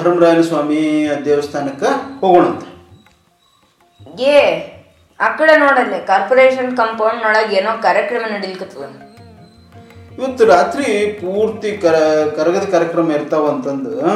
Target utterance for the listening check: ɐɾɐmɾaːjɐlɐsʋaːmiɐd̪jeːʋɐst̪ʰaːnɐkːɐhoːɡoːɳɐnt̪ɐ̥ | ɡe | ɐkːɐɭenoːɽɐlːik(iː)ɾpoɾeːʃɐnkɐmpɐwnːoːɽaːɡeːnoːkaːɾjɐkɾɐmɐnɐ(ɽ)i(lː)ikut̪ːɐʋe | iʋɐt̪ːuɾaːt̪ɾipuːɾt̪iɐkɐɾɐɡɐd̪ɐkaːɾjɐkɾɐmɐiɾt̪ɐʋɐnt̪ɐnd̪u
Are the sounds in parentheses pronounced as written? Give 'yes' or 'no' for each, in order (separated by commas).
no, yes, no